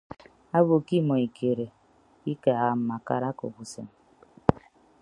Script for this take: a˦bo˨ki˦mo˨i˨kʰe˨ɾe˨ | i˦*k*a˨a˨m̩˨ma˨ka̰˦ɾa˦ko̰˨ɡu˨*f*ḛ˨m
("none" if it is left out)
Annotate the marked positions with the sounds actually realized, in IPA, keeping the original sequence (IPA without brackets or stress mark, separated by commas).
k, s